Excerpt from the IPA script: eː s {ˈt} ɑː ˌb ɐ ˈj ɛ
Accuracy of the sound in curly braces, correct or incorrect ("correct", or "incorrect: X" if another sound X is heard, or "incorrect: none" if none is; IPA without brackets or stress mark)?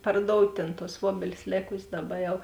incorrect: d